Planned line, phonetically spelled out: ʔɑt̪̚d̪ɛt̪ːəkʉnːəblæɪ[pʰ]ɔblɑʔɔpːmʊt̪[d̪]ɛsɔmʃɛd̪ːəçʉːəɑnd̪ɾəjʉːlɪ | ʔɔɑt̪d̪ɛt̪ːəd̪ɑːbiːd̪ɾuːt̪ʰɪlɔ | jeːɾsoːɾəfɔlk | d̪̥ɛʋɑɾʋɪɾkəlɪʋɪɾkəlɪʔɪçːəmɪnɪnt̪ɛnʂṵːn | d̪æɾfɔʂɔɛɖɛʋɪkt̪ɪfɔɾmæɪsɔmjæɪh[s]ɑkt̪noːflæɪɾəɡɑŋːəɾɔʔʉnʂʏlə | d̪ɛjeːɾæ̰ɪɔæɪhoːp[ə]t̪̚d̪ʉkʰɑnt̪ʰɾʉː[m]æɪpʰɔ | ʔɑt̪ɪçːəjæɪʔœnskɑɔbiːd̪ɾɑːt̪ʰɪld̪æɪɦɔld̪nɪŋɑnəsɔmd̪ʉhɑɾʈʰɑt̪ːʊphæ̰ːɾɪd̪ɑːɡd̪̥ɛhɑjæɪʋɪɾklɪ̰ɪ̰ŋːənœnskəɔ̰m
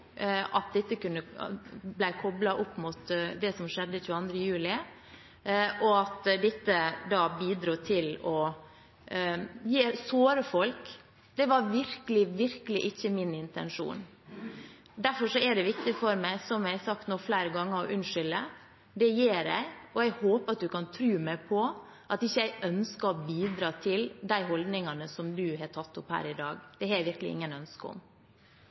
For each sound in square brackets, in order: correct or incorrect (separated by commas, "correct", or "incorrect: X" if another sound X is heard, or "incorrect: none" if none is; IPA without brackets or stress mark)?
incorrect: kʰ, correct, correct, incorrect: ɑ, correct